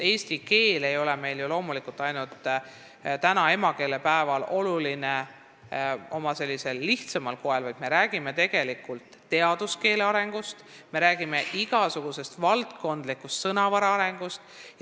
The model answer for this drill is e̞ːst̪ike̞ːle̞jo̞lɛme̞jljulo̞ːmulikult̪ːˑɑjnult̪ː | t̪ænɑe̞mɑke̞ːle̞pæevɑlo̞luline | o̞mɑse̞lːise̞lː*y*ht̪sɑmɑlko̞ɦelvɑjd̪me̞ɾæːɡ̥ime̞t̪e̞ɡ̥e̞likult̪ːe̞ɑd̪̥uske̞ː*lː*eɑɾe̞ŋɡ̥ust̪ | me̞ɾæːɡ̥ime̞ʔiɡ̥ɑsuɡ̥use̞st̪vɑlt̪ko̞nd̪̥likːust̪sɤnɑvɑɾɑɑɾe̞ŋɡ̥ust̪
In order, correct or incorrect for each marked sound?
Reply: incorrect: i, incorrect: l

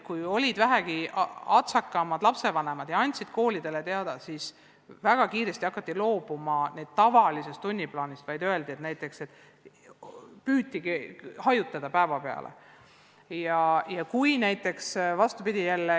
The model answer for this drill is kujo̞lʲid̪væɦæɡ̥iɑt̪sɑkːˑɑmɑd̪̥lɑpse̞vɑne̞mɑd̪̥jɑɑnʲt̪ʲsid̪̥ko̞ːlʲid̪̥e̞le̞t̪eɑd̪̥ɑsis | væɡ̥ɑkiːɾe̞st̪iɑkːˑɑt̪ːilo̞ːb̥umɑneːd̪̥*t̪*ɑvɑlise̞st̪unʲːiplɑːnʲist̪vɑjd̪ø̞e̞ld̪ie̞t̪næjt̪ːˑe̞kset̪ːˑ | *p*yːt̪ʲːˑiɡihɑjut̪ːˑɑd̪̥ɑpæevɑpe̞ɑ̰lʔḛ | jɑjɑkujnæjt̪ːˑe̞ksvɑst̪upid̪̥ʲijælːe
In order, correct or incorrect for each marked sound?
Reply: correct, correct

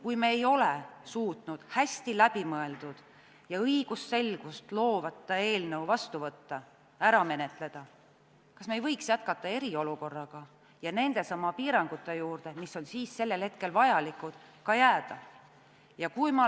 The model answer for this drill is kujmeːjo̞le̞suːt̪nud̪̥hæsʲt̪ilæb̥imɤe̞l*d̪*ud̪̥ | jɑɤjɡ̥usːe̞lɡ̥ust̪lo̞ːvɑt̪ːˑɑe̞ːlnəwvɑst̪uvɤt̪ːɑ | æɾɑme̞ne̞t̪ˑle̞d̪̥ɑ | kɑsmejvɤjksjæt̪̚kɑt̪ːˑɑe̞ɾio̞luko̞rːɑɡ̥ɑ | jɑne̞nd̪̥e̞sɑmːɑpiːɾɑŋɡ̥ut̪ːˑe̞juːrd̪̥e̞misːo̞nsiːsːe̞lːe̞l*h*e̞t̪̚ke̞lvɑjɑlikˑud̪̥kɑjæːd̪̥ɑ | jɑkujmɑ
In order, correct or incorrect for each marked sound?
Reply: correct, correct

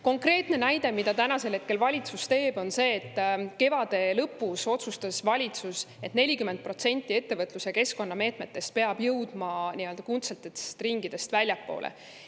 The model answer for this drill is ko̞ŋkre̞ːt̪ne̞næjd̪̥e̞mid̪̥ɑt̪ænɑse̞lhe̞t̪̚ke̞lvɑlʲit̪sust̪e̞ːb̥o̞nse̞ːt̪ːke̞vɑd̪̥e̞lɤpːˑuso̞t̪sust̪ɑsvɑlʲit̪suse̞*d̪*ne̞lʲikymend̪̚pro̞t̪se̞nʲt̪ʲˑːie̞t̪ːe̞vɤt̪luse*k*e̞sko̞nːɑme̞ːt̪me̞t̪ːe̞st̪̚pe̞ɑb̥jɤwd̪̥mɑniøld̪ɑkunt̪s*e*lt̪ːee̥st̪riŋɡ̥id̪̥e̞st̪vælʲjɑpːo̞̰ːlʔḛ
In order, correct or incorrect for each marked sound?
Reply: incorrect: t̪, correct, correct

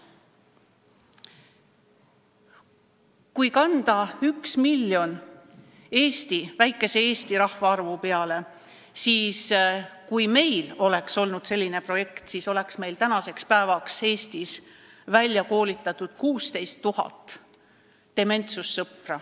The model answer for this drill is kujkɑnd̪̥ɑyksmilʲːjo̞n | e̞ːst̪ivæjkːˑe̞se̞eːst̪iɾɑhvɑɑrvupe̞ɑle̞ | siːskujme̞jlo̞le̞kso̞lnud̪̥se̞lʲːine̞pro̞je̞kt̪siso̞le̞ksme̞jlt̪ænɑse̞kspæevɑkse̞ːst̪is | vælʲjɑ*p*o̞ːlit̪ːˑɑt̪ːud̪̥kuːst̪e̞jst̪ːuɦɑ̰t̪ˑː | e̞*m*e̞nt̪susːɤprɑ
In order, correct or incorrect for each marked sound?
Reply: incorrect: k, correct

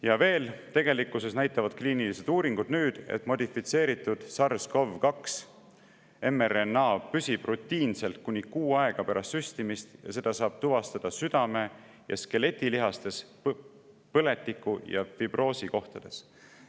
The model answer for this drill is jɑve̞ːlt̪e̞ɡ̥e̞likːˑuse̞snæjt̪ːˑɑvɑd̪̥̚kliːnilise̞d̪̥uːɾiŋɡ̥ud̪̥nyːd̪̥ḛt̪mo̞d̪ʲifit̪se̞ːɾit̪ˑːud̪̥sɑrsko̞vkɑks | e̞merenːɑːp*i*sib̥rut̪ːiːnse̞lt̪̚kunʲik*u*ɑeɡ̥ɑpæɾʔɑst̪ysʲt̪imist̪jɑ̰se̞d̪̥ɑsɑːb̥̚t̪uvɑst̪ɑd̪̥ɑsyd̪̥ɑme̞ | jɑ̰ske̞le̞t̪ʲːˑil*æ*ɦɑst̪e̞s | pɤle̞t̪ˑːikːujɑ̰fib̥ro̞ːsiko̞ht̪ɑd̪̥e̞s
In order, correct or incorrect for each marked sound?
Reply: incorrect: y, incorrect: uː, incorrect: i

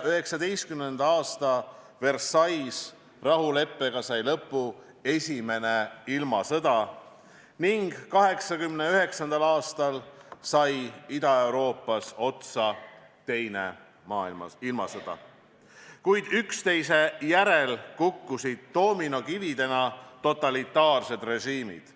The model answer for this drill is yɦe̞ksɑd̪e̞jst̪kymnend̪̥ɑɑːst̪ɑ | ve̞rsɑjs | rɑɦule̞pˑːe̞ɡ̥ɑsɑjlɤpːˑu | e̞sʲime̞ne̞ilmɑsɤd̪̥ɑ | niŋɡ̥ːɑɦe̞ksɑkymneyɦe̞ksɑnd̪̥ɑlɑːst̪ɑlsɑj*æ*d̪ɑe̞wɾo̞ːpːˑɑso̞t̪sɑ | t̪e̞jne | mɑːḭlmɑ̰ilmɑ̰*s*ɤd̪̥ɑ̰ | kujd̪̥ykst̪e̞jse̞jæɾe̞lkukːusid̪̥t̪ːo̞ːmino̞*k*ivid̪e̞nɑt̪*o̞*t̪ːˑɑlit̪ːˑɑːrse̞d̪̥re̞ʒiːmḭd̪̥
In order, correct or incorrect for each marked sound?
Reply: incorrect: i, correct, correct, correct

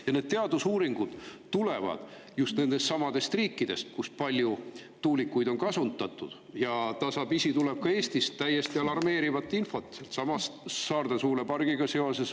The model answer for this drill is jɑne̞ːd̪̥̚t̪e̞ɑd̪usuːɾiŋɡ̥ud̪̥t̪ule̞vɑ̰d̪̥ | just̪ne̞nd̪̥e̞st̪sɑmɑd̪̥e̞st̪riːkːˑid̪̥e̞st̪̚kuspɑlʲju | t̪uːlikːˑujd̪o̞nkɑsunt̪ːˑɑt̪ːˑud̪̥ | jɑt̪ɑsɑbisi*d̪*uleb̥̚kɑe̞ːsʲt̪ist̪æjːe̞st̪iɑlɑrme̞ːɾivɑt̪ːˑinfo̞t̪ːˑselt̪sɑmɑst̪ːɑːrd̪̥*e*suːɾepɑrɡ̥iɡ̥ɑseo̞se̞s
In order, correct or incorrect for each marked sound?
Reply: incorrect: t̪, correct

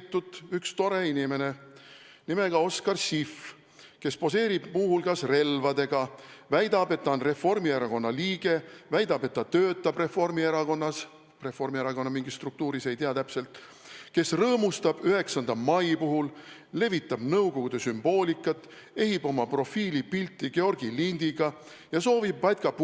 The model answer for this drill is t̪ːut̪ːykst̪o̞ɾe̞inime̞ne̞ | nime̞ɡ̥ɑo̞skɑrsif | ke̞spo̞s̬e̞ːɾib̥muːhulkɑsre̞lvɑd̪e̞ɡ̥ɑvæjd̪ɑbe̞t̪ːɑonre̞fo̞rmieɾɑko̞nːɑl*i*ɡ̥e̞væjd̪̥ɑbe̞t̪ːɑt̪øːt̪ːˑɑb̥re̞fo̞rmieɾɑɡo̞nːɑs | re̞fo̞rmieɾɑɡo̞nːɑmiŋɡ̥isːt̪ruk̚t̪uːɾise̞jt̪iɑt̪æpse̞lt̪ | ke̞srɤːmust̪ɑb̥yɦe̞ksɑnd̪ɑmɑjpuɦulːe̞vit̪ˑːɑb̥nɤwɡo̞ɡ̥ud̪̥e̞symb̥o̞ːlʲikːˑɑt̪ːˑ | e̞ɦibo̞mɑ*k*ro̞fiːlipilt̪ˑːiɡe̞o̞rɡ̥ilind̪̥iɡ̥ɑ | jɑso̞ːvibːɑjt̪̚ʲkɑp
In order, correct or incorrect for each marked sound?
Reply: incorrect: iː, incorrect: p

